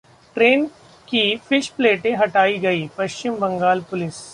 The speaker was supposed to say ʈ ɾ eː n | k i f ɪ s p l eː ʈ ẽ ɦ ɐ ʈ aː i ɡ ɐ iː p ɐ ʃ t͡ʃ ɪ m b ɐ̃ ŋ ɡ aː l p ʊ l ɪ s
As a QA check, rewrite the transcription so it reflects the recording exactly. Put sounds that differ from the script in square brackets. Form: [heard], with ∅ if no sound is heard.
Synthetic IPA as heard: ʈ ɾ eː n | k i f ɪ [ʃ] p l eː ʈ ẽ ɦ ɐ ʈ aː i ɡ ɐ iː p ɐ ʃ t͡ʃ ɪ m b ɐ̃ ŋ ɡ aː l p ʊ l ɪ s